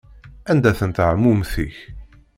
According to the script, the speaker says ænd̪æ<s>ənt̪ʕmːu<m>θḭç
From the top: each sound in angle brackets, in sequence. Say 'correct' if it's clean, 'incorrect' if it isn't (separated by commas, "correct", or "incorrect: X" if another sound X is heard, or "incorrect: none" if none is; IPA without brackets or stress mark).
incorrect: θ, correct